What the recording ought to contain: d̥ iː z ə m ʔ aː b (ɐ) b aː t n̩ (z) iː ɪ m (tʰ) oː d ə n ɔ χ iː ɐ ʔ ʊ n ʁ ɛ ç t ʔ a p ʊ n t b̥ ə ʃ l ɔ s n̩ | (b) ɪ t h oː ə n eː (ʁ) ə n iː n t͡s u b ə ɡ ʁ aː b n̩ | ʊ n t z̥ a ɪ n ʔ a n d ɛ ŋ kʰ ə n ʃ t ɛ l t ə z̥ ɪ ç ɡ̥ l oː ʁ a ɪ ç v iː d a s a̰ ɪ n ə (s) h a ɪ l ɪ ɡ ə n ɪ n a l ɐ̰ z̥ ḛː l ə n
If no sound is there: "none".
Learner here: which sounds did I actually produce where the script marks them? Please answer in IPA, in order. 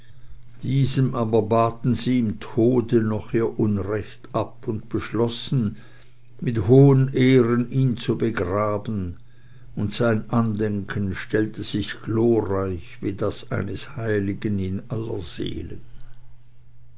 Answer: ɐ, z, tʰ, m, ʁ, s

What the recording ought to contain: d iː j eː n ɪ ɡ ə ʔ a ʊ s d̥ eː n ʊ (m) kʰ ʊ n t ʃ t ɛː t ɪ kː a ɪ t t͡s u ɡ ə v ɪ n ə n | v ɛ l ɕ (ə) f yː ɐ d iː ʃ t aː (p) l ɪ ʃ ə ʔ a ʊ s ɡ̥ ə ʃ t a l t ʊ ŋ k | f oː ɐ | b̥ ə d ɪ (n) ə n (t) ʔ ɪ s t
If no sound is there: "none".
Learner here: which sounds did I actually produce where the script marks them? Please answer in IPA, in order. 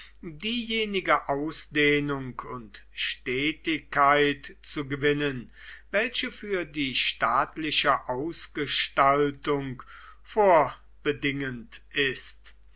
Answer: ŋ, ə, t, ŋ, t

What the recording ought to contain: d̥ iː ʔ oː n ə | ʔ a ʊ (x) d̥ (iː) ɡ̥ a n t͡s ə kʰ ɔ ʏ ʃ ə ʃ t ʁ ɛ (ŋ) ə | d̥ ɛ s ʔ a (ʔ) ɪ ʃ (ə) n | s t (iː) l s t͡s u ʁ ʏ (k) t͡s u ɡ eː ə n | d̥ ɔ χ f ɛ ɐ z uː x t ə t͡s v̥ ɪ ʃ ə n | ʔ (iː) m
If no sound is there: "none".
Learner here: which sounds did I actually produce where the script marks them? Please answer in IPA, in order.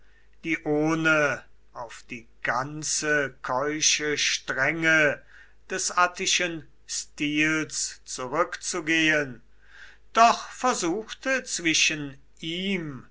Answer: f, iː, ŋ, t, ə, iː, k, iː

